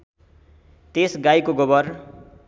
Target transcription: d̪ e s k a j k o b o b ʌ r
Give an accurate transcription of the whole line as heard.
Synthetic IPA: t̪ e s ɡ a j k o ɡ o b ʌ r